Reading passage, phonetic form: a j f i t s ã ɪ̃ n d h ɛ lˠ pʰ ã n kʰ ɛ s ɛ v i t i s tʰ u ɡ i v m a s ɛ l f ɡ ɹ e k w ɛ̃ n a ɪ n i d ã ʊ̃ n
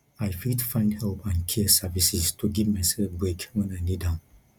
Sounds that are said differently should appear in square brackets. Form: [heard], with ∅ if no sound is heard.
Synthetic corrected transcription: a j f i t [f] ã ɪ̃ n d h ɛ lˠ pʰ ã n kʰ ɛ s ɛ v i [s] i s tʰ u ɡ i v m a s ɛ l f [b] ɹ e k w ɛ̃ n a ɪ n i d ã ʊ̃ n